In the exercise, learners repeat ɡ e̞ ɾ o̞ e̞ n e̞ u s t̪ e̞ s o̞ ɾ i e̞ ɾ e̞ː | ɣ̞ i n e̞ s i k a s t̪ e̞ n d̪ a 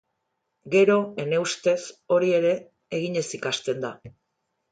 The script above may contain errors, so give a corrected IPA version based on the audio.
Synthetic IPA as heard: ɡ e̞ ɾ o̞ e̞ n e̞ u s t̪ e̞ s o̞ ɾ i e̞ ɾ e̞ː | ɣ̞ i ɲ e̞ s i k a s t̪ e̞ n d̪ a